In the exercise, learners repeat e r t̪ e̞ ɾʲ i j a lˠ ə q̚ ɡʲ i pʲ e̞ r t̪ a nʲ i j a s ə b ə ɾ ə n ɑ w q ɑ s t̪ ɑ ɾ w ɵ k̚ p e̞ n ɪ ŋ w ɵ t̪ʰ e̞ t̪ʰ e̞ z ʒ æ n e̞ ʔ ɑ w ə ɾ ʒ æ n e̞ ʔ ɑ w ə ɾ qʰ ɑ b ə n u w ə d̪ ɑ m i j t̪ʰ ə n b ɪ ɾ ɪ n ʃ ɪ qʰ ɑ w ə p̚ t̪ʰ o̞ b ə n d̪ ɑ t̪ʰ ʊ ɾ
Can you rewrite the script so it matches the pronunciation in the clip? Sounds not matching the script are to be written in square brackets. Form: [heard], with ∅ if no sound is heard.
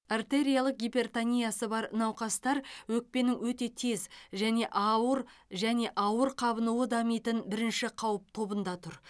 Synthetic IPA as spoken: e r t̪ e̞ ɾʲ i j a lˠ ə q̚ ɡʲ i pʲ e̞ r t̪ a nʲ i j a s ə b [ɑ] ɾ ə n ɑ w q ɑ s t̪ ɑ ɾ w ɵ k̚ p e̞ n ɪ ŋ w ɵ [t̪] e̞ t̪ʰ e̞ z ʒ æ n e̞ ʔ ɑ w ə ɾ ʒ æ n e̞ ʔ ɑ w ə ɾ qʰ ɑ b ə n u w ə d̪ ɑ m i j [t̪] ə n b ɪ ɾ ɪ n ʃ ɪ qʰ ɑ w ə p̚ t̪ʰ o̞ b ə n d̪ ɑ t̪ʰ ʊ ɾ